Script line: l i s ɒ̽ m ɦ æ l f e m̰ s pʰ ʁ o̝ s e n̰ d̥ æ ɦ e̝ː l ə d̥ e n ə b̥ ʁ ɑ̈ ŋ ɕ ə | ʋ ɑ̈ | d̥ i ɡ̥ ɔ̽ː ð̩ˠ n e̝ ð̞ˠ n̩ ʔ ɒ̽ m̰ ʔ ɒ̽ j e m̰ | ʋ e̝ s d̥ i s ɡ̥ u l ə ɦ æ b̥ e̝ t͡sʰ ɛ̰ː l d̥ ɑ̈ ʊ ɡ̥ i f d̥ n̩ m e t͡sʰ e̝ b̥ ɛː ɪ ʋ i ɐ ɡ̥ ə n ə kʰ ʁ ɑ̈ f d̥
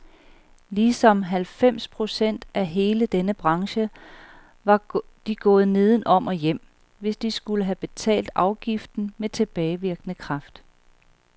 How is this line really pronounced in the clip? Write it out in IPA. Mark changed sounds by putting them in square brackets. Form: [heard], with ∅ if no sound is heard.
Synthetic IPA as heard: l i s ɒ̽ m ɦ æ l f e m̰ s pʰ ʁ o̝ s e n̰ d̥ æ ɦ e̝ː l ə d̥ e n ə b̥ ʁ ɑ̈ ŋ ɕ ə | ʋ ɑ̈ | d̥ i ɡ̥ ɔ̽ː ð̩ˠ n e̝ ð̞ˠ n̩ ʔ ɒ̽ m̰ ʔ ɒ̽ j e m̰ | ʋ e̝ s d̥ i s ɡ̥ u l ə ɦ æ b̥ e̝ t͡sʰ ɛ̰ː l d̥ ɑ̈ ʊ ɡ̥ i f d̥ n̩ m e t͡sʰ e̝ b̥ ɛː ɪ ʋ i ɐ ɡ̥ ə n ə kʰ ʁ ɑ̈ f d̥